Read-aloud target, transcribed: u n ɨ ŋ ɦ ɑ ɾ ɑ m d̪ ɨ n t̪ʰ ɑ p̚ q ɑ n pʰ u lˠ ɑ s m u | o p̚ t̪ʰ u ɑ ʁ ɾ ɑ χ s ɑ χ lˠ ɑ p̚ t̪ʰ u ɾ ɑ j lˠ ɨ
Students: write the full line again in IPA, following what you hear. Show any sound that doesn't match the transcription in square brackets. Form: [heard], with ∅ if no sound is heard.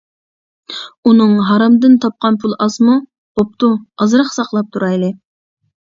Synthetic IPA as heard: u n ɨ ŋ ɦ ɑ ɾ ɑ m d̪ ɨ n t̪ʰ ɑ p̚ q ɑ n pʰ u lˠ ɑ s m u | o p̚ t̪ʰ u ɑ [z] ɾ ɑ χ s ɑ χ lˠ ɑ p̚ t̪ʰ u ɾ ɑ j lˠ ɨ